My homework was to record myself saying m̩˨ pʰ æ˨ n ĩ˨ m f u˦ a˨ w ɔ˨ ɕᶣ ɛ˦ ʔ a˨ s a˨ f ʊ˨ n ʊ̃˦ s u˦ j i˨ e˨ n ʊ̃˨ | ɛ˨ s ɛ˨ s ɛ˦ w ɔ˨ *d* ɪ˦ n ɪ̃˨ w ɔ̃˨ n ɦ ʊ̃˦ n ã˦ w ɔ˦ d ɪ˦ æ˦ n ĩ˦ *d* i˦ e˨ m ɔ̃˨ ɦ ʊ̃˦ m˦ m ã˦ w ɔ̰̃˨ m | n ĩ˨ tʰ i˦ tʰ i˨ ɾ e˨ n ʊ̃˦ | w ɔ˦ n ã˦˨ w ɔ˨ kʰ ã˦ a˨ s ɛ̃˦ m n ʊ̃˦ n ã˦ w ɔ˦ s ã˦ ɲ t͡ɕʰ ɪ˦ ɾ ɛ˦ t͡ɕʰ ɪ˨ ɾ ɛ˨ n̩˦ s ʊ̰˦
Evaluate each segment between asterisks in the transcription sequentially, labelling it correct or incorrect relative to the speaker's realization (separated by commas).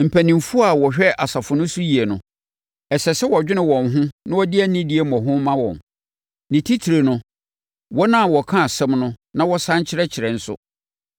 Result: incorrect, correct